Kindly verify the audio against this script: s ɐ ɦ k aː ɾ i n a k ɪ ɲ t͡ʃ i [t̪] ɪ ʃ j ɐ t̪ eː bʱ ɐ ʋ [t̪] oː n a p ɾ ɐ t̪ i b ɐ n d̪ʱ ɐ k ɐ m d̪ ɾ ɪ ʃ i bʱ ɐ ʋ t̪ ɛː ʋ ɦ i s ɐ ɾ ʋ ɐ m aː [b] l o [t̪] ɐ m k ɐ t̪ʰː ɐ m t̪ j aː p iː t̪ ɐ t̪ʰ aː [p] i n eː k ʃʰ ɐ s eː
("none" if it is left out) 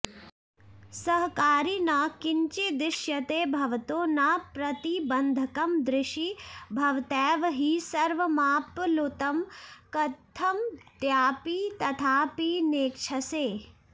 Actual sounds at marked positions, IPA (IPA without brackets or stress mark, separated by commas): d̪, t̪, p, t̪, p